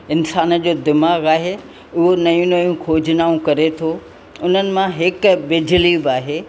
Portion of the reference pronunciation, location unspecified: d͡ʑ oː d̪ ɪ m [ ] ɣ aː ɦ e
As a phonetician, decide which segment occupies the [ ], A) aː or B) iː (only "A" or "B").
A